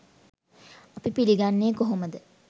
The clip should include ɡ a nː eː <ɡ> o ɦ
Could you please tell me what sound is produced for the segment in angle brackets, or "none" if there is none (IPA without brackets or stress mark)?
k